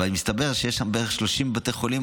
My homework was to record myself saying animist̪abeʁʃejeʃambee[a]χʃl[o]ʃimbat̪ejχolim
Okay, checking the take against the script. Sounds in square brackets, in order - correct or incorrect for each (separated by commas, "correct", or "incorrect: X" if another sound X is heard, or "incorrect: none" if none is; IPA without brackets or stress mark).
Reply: incorrect: e, correct